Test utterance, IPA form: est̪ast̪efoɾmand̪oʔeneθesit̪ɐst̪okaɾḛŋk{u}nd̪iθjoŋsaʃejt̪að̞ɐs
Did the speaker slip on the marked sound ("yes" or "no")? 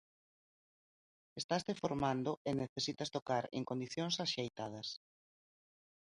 yes